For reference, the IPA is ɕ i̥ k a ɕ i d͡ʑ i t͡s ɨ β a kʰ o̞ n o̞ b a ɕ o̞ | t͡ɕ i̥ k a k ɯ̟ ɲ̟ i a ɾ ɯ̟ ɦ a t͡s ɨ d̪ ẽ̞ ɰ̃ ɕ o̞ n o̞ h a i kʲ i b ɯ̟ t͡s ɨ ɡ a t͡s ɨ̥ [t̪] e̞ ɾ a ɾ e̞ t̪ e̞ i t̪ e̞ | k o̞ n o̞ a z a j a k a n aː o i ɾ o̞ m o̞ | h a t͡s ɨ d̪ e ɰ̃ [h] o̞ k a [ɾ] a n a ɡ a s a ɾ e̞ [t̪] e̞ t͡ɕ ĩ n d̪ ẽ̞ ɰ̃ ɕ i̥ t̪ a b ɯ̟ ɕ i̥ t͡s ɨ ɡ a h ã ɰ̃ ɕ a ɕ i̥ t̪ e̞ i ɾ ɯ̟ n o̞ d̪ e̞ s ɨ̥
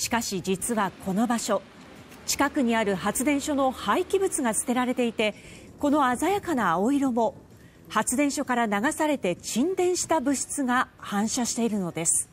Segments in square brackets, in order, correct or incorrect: correct, incorrect: ɕ, correct, correct

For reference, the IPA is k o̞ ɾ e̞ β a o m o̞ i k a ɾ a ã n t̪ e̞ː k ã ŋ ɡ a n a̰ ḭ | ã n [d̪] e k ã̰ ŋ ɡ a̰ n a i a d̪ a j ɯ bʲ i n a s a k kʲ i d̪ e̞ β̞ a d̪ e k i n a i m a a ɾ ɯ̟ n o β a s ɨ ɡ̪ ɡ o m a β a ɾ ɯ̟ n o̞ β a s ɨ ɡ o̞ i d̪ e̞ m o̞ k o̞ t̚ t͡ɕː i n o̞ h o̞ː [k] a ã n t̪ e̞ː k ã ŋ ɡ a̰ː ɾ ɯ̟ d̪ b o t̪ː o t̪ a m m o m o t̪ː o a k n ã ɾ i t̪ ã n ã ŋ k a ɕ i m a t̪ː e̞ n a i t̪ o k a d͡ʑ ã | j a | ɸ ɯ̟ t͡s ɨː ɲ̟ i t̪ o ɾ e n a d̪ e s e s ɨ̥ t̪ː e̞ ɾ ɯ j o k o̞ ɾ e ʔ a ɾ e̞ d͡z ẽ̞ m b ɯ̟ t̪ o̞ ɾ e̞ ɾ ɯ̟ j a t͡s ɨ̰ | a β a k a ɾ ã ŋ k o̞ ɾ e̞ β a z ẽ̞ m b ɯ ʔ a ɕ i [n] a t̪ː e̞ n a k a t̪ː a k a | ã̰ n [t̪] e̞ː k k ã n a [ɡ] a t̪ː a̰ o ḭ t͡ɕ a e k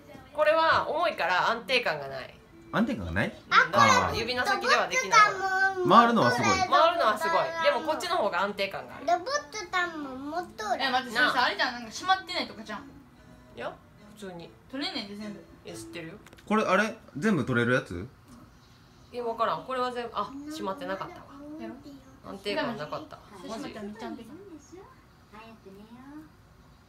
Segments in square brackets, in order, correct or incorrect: incorrect: t̪, incorrect: ɡ, incorrect: m, correct, incorrect: k

